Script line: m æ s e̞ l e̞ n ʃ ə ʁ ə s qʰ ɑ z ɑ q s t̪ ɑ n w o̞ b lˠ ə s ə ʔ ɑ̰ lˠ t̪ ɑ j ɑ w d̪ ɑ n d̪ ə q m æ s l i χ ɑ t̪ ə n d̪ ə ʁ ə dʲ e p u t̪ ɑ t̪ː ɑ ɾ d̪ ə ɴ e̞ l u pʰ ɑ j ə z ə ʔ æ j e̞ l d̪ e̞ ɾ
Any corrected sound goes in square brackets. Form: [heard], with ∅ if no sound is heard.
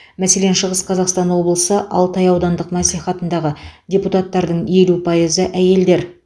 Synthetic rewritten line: m æ s e̞ l e̞ n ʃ ə ʁ ə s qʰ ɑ z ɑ q s t̪ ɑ n w o̞ b lˠ ə s ə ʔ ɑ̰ lˠ t̪ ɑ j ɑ w d̪ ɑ n d̪ ə q m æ s l i χ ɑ t̪ ə n d̪ [ɑ] ʁ ə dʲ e p u t̪ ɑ t̪ː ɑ ɾ d̪ ə ɴ e̞ l u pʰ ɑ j ə z ə ʔ æ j e̞ l d̪ e̞ ɾ